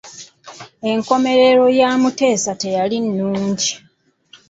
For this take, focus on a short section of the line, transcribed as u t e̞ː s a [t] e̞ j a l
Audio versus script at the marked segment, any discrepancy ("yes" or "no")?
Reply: no